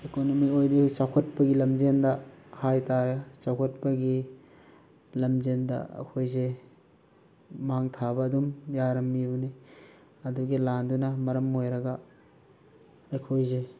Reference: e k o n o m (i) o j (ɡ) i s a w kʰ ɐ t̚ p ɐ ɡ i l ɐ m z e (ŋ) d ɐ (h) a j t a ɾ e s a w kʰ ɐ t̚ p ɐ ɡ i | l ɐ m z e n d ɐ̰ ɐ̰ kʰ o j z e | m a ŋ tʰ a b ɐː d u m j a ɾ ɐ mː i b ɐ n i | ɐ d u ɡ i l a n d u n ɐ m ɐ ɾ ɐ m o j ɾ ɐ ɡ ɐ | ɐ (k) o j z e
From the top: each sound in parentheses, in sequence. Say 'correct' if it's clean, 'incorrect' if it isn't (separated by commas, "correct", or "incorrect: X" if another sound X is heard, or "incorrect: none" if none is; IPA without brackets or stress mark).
correct, incorrect: d, incorrect: n, correct, incorrect: kʰ